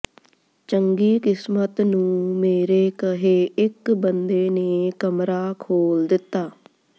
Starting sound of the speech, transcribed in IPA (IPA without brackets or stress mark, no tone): t͡ʃ